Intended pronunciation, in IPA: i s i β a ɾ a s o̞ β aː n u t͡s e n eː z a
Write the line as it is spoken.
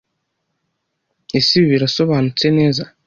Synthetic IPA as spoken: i s i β i ɾ a s o̞ β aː n u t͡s e n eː z a